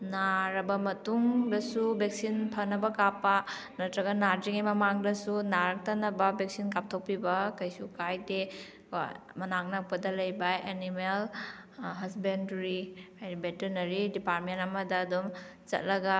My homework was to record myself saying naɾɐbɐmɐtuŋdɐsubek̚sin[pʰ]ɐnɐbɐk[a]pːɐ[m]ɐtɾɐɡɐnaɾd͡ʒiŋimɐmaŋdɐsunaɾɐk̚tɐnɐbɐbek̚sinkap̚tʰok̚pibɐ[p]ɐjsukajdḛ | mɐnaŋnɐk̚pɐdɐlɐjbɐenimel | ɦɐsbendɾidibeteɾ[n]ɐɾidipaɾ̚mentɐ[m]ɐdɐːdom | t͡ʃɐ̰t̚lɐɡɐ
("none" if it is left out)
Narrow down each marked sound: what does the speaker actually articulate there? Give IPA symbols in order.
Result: pʰ, a, n, k, n, m

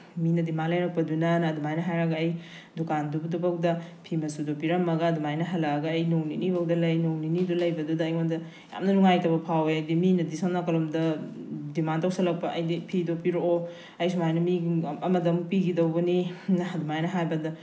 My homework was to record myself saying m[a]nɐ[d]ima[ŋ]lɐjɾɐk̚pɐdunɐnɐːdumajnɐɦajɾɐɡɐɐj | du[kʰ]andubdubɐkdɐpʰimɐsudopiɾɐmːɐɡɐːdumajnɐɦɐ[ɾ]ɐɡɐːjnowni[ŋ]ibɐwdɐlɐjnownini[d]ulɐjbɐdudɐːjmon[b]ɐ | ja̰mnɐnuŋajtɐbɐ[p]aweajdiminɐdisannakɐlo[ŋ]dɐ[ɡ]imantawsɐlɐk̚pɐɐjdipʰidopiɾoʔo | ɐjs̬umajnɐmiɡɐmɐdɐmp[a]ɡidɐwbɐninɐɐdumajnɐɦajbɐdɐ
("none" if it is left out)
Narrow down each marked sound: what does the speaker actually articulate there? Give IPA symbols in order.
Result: i, d, n, k, l, n, d, d, pʰ, m, d, i

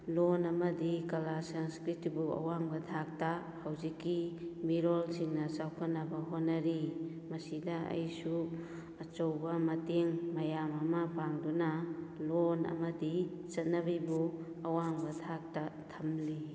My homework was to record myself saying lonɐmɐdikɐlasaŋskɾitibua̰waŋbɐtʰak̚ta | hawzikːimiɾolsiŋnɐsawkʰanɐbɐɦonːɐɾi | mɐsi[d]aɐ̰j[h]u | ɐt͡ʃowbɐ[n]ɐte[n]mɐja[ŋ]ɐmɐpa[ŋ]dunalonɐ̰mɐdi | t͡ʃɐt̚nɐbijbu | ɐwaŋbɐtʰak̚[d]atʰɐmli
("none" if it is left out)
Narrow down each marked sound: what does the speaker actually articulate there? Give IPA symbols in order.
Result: d, s, m, ŋ, m, ŋ, t

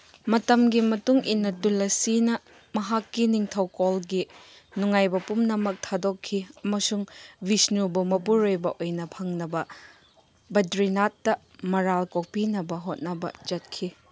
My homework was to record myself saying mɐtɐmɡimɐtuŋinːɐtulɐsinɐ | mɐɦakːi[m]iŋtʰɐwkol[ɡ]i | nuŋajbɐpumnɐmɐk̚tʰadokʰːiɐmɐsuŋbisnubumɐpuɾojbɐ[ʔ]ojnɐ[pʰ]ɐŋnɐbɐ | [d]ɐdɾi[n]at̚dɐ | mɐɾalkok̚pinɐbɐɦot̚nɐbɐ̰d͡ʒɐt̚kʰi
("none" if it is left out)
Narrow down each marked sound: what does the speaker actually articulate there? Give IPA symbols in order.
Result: n, ɡ, ʔ, pʰ, b, n

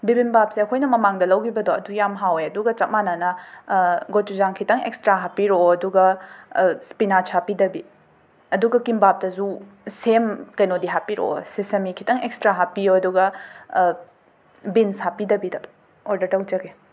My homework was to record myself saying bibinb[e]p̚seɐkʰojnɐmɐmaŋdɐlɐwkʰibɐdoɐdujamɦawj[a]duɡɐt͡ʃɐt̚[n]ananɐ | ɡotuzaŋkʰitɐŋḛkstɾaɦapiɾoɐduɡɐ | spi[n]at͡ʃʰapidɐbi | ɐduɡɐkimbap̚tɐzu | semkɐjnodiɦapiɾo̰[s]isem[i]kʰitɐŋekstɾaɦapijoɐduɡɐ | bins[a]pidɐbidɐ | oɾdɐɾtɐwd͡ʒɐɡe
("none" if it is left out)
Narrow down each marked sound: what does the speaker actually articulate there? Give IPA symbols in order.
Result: a, ɐ, m, n, s, i, a

